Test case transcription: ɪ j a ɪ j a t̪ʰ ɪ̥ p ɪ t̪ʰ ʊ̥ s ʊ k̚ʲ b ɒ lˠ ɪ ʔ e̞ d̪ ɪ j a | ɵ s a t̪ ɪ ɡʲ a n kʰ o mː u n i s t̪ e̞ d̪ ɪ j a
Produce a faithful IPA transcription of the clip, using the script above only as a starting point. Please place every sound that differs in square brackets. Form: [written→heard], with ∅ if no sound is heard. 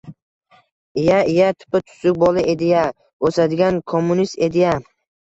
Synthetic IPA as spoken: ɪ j a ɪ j a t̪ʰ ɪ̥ p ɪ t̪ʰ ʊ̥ s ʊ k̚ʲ b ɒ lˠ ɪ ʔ e̞ d̪ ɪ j a | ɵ s a [t̪→d̪] ɪ ɡʲ a n kʰ o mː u n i s t̪ e̞ d̪ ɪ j a